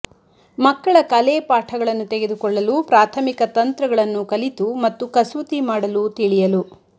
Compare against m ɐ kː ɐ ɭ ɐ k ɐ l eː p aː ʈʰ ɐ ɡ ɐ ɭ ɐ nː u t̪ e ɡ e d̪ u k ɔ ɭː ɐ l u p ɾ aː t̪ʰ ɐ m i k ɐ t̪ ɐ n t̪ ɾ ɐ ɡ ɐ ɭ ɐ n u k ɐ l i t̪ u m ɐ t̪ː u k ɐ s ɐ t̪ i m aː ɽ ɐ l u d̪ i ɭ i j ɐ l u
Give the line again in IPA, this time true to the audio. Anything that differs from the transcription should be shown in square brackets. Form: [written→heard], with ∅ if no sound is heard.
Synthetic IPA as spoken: m ɐ kː ɐ ɭ ɐ k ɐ l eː p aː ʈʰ ɐ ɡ ɐ ɭ ɐ nː u t̪ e ɡ e d̪ u k ɔ ɭː ɐ l u p ɾ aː t̪ʰ ɐ m i k ɐ t̪ ɐ n t̪ ɾ ɐ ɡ ɐ ɭ ɐ [n→nː] u k ɐ l i t̪ u m ɐ t̪ː u k ɐ s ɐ t̪ i m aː ɽ ɐ l u [d̪→t̪] i ɭ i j ɐ l u

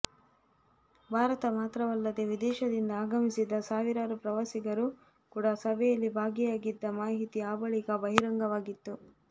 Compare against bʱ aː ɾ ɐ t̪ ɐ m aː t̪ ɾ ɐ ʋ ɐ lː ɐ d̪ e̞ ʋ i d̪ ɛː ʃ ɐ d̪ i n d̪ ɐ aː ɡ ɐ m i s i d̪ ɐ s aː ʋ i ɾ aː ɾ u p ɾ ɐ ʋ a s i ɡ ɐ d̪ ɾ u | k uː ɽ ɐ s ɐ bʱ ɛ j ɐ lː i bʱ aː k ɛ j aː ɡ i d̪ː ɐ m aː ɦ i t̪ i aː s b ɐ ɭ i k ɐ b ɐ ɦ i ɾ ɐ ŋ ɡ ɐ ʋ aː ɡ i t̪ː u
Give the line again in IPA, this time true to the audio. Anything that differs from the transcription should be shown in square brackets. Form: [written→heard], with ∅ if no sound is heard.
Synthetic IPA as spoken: bʱ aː ɾ ɐ t̪ ɐ m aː t̪ ɾ ɐ ʋ ɐ lː ɐ d̪ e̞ ʋ i d̪ ɛː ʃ ɐ d̪ i n d̪ ɐ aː ɡ ɐ m i s i d̪ ɐ s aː ʋ i ɾ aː ɾ u p ɾ ɐ ʋ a s i ɡ ɐ [d̪→∅] ɾ u | k uː ɽ ɐ s ɐ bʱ ɛ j ɐ lː i bʱ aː [k→ɡ] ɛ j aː ɡ i d̪ː ɐ m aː ɦ i t̪ i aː [s→∅] b ɐ ɭ i k ɐ b ɐ ɦ i ɾ ɐ ŋ ɡ ɐ ʋ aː ɡ i t̪ː u

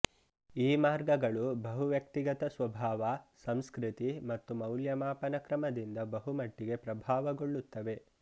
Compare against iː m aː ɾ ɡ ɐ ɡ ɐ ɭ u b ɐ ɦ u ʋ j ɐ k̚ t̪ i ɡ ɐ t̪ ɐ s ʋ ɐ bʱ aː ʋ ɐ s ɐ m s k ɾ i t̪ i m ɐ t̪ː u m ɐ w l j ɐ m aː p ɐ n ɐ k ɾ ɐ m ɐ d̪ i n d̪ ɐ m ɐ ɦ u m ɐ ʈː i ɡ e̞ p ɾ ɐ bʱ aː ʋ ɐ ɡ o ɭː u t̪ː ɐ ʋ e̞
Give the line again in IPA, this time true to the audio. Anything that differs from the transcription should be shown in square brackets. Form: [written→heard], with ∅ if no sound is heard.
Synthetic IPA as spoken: iː m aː ɾ ɡ ɐ ɡ ɐ ɭ u b ɐ ɦ u ʋ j ɐ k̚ t̪ i ɡ ɐ t̪ ɐ s ʋ ɐ bʱ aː ʋ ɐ s ɐ m s k ɾ i t̪ i m ɐ t̪ː u m ɐ w l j ɐ m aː p ɐ n ɐ k ɾ ɐ m ɐ d̪ i n d̪ ɐ [m→b] ɐ ɦ u m ɐ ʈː i ɡ e̞ p ɾ ɐ bʱ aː ʋ ɐ ɡ o ɭː u t̪ː ɐ ʋ e̞

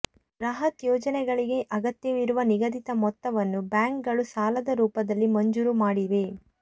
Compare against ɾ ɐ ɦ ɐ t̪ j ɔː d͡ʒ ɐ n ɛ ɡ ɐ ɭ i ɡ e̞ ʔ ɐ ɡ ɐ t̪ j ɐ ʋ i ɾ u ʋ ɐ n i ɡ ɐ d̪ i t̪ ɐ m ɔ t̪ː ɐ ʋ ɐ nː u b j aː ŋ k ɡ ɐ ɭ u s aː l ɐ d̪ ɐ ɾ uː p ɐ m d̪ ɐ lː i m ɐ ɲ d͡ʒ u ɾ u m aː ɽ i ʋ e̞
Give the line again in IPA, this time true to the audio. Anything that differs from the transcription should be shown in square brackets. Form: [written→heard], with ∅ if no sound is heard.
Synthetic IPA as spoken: ɾ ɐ ɦ ɐ t̪ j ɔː d͡ʒ ɐ n ɛ ɡ ɐ ɭ i ɡ e̞ ʔ ɐ ɡ ɐ t̪ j ɐ ʋ i ɾ u ʋ ɐ n i ɡ ɐ d̪ i t̪ ɐ m ɔ t̪ː ɐ ʋ ɐ nː u b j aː ŋ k ɡ ɐ ɭ u s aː l ɐ d̪ ɐ ɾ uː p ɐ [m→∅] d̪ ɐ lː i m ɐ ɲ d͡ʒ u ɾ u m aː ɽ i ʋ e̞

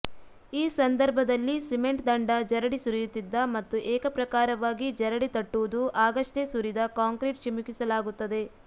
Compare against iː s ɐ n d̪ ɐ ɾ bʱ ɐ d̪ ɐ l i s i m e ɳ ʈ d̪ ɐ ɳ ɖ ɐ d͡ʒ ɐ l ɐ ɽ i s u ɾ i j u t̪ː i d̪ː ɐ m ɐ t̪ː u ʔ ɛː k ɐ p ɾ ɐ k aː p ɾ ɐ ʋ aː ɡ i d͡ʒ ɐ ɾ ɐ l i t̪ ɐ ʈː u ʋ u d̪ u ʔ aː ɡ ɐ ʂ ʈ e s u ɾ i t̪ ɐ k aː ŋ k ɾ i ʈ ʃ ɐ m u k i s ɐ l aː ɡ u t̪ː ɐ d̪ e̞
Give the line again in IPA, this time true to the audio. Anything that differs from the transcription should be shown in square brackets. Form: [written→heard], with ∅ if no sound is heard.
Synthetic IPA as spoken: iː s ɐ n d̪ ɐ ɾ bʱ ɐ d̪ ɐ [l→lː] i s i m e ɳ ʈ d̪ ɐ ɳ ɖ ɐ d͡ʒ ɐ [l→ɾ] ɐ ɽ i s u ɾ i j u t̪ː i d̪ː ɐ m ɐ t̪ː u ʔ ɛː k ɐ p ɾ ɐ k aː [p→∅] ɾ ɐ ʋ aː ɡ i d͡ʒ ɐ ɾ ɐ [l→ɽ] i t̪ ɐ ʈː u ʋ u d̪ u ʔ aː ɡ ɐ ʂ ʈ e s u ɾ i [t̪→d̪] ɐ k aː ŋ k ɾ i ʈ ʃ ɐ m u k i s ɐ l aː ɡ u t̪ː ɐ d̪ e̞

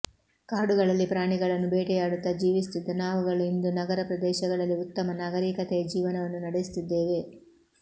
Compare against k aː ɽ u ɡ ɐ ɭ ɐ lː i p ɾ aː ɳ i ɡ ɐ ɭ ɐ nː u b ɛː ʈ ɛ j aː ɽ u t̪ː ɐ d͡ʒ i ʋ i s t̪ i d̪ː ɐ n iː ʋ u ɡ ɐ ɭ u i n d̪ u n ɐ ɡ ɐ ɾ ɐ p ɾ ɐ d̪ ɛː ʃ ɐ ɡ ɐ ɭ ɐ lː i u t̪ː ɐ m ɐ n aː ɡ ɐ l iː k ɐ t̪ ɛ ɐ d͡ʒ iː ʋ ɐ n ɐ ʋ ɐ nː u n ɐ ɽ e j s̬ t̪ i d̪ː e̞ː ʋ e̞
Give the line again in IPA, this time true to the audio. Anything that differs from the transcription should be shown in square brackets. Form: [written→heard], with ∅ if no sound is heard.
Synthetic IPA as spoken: k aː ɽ u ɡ ɐ ɭ ɐ lː i p ɾ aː ɳ i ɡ ɐ ɭ ɐ nː u b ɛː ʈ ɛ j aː ɽ u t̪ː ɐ d͡ʒ [i→iː] ʋ i s t̪ i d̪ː ɐ n [iː→aː] ʋ u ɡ ɐ ɭ u i n d̪ u n ɐ ɡ ɐ ɾ ɐ p ɾ ɐ d̪ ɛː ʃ ɐ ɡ ɐ ɭ ɐ lː i u t̪ː ɐ m ɐ n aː ɡ ɐ [l→ɾ] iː k ɐ t̪ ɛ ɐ d͡ʒ iː ʋ ɐ n ɐ ʋ ɐ nː u n ɐ ɽ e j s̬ t̪ i d̪ː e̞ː ʋ e̞

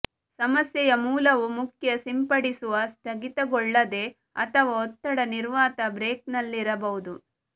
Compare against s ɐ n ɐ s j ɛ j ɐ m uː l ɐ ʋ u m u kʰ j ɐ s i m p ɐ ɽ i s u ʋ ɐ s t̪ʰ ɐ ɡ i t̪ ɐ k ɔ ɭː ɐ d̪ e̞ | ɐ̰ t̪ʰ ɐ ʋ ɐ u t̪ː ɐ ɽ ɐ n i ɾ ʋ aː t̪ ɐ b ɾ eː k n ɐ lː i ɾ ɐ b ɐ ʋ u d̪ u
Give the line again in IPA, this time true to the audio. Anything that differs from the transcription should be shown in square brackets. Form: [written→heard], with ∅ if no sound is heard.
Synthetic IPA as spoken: s ɐ [n→m] ɐ s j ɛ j ɐ m uː l ɐ ʋ u m u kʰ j ɐ s i m p ɐ ɽ i s u ʋ ɐ s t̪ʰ ɐ ɡ i t̪ ɐ [k→ɡ] ɔ ɭː ɐ d̪ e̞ | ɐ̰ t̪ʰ ɐ ʋ ɐ [u→ɔ] t̪ː ɐ ɽ ɐ n i ɾ ʋ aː t̪ ɐ b ɾ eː k n ɐ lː i ɾ ɐ b ɐ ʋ u d̪ u

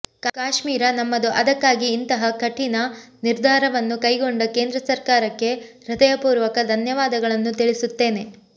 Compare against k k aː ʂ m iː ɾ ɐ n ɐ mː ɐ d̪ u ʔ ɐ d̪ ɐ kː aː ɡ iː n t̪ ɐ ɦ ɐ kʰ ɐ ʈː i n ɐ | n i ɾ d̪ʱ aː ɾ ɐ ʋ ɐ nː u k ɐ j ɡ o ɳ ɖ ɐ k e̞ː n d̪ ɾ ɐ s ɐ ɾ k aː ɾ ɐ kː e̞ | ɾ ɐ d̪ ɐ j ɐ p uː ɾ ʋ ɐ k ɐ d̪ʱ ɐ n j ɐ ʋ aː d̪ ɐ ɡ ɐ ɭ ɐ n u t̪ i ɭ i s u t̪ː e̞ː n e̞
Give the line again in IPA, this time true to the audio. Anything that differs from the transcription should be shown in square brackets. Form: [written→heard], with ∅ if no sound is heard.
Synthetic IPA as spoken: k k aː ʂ m iː ɾ ɐ n ɐ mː ɐ d̪ u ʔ ɐ d̪ ɐ kː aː ɡ iː n t̪ ɐ ɦ ɐ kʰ ɐ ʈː i n ɐ | n i ɾ d̪ʱ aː ɾ ɐ ʋ ɐ nː u k ɐ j ɡ o ɳ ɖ ɐ k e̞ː n d̪ ɾ ɐ s ɐ ɾ k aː ɾ ɐ kː e̞ | ɾ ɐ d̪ ɐ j ɐ p uː ɾ ʋ ɐ k ɐ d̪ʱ ɐ n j ɐ ʋ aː d̪ ɐ ɡ ɐ ɭ ɐ [n→nː] u t̪ i ɭ i s u t̪ː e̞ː n e̞

